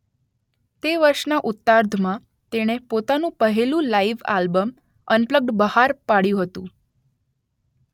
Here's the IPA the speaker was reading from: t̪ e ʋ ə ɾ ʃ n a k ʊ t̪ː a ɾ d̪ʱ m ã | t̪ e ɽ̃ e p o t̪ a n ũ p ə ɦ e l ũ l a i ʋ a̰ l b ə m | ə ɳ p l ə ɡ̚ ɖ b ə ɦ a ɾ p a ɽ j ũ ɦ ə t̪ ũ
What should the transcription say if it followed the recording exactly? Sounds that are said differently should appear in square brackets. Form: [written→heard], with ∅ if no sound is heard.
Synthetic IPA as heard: t̪ e ʋ ə ɾ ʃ n a [k→ʔ] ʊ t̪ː a ɾ d̪ʱ m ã | t̪ e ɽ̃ e p o t̪ a n ũ p ə ɦ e l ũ l a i ʋ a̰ l b ə m | ə [ɳ→n] p l ə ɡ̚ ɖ b ə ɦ a ɾ p a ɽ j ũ ɦ ə t̪ ũ

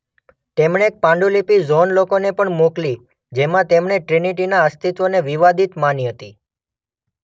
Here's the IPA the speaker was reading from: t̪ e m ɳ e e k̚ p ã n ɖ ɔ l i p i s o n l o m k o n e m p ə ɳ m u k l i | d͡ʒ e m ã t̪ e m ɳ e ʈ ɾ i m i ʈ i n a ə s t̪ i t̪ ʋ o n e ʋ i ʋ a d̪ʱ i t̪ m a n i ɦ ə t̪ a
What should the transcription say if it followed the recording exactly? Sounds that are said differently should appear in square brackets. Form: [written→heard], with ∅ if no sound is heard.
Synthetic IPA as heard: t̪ e m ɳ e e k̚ p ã [n→ɳ] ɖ [ɔ→u] l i p i [s→z] o n l o [m→∅] k o n e [m→∅] p ə ɳ m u k l i | d͡ʒ e m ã t̪ e m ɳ e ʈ ɾ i [m→n] i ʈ i n a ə s t̪ i t̪ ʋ o n e ʋ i ʋ a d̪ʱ i t̪ m a n i ɦ ə t̪ [a→i]

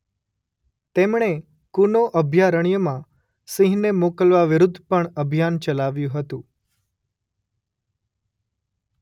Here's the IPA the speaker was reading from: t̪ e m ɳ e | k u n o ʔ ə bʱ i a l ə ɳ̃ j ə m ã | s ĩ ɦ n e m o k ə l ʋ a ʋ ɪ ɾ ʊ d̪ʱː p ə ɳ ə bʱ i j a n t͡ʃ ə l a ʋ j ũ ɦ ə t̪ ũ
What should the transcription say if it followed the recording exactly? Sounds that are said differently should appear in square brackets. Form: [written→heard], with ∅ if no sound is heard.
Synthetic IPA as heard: t̪ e m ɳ e | k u n o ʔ ə bʱ [i→j] a [l→ɾ] ə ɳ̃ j ə m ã | s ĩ ɦ n e m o k ə l ʋ a ʋ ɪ ɾ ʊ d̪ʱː p ə ɳ ə bʱ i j a n t͡ʃ ə l a ʋ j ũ ɦ ə t̪ ũ

